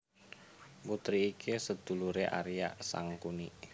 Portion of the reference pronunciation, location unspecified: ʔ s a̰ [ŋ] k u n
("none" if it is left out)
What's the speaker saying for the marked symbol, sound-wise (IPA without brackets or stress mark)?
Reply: ŋ